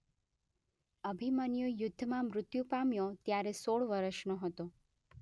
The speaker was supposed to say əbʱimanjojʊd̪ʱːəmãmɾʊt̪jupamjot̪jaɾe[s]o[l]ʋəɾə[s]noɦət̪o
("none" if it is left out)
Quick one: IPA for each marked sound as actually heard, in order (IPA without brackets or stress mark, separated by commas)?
s, ɭ, ʃ